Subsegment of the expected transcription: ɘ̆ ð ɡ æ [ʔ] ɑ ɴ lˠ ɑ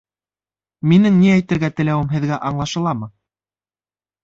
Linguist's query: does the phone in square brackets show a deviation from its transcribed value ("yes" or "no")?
no